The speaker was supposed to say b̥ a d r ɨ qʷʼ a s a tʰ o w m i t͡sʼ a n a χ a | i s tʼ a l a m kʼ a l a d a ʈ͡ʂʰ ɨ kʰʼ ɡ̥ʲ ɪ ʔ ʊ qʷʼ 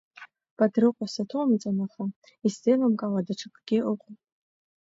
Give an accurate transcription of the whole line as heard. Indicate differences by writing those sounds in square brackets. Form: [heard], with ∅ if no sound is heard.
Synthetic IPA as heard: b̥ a d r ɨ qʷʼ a s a tʰ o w m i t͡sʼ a n a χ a | i s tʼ [e] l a m kʼ a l a d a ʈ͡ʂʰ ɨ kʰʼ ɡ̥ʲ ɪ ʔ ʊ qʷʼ